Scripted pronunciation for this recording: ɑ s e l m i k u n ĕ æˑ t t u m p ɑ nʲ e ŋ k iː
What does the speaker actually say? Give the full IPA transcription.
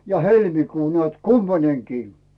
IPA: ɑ h e l m i k uː n ĕ æˑ t k u m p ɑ nʲ e ŋ k iː